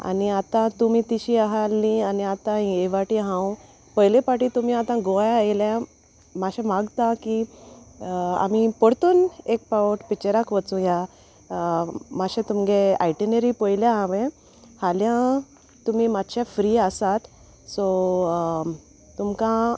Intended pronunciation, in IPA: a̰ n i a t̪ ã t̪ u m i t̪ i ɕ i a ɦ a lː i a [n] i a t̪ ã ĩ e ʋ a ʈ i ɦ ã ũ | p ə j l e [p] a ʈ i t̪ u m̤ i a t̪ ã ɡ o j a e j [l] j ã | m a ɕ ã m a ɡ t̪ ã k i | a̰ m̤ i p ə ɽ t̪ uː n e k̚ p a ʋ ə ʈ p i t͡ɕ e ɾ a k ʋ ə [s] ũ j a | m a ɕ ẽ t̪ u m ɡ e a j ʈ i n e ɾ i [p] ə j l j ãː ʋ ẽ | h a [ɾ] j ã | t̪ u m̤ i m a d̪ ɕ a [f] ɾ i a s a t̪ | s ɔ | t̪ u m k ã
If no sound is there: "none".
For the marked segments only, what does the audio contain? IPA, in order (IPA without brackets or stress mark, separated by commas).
n, p, l, t͡s, p, l, f